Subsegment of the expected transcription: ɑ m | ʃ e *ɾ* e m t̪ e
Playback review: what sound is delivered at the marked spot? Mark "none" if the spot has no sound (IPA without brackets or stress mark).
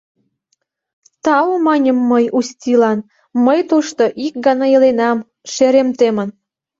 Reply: ɾ